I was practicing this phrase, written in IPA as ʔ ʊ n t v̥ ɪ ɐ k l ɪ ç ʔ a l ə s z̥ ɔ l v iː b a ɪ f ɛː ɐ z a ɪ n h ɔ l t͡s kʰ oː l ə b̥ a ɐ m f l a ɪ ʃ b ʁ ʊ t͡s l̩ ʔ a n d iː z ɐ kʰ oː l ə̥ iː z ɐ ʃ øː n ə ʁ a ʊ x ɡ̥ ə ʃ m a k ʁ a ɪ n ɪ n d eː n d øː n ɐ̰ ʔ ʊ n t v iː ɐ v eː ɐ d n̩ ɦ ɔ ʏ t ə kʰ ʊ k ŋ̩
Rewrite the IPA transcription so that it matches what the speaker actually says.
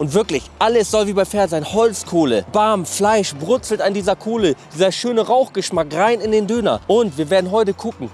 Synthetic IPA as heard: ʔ ʊ n t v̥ ɪ ɐ k l ɪ ç ʔ a l ə s z̥ ɔ l v iː b a ɪ f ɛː ɐ z a ɪ n h ɔ l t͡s kʰ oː l ə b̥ a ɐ m f l a ɪ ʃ b ʁ ʊ t͡s l̩ t a n d iː z ɐ kʰ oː l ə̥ iː z ɐ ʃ øː n ə ʁ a ʊ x ɡ̥ ə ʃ m a k ʁ a ɪ n ɪ n d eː n d øː n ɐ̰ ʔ ʊ n t v iː ɐ v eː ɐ d n̩ ɦ ɔ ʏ t ə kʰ ʊ k ŋ̩